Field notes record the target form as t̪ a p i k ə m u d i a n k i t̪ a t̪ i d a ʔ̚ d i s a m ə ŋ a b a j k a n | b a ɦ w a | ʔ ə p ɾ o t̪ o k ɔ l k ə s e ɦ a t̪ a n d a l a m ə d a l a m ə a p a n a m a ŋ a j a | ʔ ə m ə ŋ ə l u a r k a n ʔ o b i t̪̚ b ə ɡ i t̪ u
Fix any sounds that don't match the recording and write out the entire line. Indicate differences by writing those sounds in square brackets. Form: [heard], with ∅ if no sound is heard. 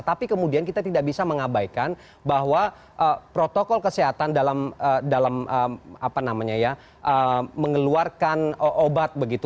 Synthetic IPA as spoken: t̪ a p i k ə m u d i a n k i t̪ a t̪ i d a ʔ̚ [b] i s a m ə ŋ a b a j k a n | b a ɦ w a | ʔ ə p ɾ o t̪ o k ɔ l k ə s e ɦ a t̪ a n d a l a m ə d a l a m ə a p a n a m a [ɲ] a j a | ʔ ə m ə ŋ ə l u a r k a n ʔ o b [a] t̪̚ b ə ɡ i t̪ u